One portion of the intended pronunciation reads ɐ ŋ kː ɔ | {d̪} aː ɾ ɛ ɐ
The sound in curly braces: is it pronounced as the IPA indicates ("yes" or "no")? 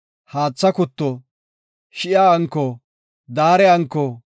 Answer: yes